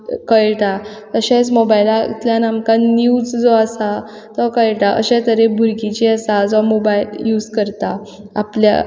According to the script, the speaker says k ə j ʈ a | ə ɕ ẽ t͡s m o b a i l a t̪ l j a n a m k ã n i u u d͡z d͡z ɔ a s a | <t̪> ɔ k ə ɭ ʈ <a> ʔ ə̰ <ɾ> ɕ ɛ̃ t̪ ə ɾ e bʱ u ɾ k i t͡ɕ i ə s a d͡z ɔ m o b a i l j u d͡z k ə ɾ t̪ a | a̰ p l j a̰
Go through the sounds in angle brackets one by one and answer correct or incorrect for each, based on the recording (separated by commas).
correct, correct, incorrect